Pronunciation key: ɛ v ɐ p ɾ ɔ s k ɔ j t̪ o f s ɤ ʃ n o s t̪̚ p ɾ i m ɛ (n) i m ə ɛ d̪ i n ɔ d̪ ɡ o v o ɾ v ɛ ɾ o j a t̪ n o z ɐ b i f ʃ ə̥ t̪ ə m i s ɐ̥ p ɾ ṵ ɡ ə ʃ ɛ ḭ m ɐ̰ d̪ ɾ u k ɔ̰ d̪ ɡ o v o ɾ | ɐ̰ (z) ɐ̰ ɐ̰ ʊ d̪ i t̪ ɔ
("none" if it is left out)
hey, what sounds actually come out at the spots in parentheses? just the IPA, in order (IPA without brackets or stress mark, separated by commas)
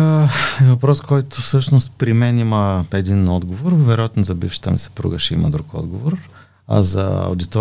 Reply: n, z